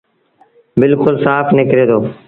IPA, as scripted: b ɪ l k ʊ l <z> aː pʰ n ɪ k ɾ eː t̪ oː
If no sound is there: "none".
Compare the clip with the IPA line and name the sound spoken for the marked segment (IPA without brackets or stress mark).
s